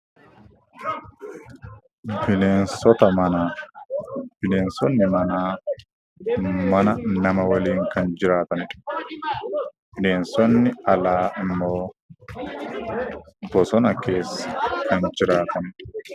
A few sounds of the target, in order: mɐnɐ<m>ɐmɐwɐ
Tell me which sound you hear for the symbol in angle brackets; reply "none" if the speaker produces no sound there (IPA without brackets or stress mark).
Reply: n